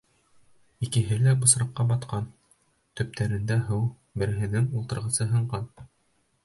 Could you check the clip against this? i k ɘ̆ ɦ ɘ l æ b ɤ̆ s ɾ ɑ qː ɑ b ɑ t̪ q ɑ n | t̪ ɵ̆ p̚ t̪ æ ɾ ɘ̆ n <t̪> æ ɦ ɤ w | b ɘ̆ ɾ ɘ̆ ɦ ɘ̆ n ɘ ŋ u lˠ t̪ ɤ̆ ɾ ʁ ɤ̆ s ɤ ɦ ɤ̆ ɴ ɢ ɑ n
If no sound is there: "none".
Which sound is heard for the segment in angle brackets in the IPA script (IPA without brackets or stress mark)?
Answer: d̪